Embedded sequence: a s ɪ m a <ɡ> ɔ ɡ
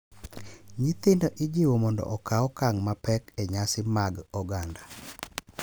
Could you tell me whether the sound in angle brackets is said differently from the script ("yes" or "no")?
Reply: no